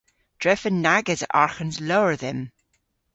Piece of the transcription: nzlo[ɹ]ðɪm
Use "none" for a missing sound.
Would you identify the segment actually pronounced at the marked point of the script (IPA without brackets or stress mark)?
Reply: ɹ